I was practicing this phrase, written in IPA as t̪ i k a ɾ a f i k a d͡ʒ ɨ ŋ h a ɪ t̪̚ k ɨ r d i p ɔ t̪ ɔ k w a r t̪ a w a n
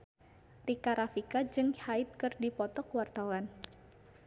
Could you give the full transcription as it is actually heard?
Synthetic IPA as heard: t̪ i k a ɾ a f i k a d͡ʒ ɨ ŋ h a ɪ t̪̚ k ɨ r d i p ɔ t̪ ɔ k w a r t̪ a w a n